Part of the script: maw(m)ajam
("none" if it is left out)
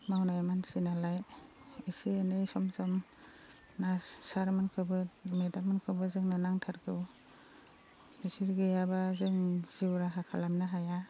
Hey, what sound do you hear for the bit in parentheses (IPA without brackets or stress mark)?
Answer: n